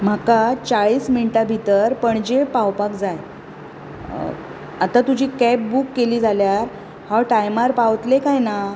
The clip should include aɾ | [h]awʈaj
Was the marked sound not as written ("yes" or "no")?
no